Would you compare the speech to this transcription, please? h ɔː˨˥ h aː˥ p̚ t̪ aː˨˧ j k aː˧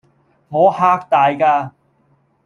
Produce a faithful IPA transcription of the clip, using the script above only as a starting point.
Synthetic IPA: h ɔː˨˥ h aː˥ k̚ t̪ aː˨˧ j k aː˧

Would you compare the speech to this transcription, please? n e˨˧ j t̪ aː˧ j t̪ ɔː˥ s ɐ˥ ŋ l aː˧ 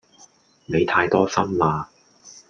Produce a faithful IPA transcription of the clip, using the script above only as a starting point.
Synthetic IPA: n e˨˧ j t̪ʰ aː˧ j t̪ ɔː˥ s ɐ˥ m l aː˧

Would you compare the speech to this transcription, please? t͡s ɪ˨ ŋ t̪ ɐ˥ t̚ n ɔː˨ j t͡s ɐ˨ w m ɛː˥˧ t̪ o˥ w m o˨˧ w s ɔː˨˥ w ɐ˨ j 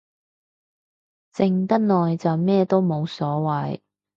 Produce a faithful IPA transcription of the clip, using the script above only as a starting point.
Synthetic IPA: t͡s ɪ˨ ŋ t̪ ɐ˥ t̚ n ɔː˨ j t͡s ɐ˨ w m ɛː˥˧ t̪ o˥ w m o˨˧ w s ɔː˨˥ w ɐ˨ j

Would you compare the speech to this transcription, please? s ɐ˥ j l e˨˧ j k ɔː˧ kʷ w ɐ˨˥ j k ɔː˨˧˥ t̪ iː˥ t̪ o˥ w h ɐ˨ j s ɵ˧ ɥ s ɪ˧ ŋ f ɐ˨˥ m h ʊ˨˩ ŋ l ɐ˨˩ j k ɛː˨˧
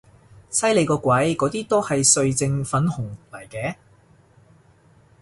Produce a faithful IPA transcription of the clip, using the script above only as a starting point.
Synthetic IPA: s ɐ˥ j l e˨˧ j k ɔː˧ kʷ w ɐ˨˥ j k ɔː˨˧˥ t̪ iː˥ t̪ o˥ w h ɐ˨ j s ɵ˧ ɥ t͡s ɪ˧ ŋ f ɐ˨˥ n h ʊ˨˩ ŋ l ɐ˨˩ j k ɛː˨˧

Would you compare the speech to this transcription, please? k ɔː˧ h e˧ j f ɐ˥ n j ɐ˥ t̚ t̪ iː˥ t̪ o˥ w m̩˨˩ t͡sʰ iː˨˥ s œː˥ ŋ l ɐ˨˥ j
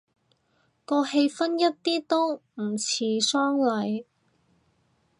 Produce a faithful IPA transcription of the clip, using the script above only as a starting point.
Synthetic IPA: k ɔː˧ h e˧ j f ɐ˥ n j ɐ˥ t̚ t̪ iː˥ t̪ o˥ w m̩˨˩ t͡sʰ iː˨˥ s œː˥ ŋ l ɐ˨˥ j

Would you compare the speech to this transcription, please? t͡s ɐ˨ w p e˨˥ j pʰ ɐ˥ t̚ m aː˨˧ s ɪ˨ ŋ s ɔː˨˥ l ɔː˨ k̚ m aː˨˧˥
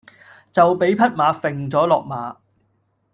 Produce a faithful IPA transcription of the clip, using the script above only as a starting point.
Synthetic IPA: t͡s ɐ˨ w p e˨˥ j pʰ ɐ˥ t̚ m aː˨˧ f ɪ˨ ŋ t͡s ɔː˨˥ l ɔː˨ k̚ m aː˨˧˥

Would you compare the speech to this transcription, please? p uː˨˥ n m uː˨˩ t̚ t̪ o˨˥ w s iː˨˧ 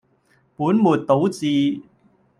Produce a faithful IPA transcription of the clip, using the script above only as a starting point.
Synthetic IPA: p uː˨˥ n m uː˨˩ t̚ t̪ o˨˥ w t͡s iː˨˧

